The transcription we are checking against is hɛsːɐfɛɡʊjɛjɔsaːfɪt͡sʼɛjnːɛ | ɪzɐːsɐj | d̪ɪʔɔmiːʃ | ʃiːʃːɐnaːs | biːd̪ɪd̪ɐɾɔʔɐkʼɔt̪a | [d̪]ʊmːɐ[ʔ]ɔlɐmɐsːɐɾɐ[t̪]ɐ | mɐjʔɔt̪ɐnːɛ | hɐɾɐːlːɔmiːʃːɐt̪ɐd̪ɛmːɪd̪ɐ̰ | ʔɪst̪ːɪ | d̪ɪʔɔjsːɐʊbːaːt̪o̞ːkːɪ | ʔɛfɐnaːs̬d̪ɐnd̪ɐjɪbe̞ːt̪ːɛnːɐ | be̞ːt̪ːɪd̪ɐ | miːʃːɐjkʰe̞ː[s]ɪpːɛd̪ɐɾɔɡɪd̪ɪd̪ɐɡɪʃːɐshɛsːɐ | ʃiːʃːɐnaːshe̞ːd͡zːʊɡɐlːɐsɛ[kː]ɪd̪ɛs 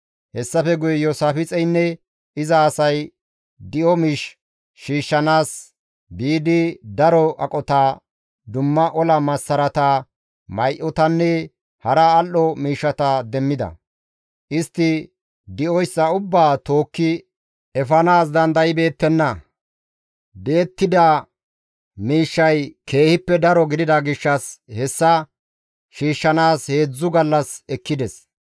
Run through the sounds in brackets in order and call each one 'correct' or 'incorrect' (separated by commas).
correct, correct, correct, incorrect, correct